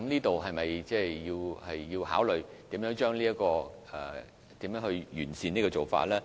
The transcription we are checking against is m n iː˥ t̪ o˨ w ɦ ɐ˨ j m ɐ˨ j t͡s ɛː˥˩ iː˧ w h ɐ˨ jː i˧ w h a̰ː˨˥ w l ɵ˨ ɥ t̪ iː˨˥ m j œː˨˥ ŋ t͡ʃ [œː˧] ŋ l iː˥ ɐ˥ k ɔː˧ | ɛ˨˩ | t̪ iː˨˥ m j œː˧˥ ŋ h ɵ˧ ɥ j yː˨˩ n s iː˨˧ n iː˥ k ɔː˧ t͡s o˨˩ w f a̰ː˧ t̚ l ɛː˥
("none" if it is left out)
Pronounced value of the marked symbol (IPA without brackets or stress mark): œː˥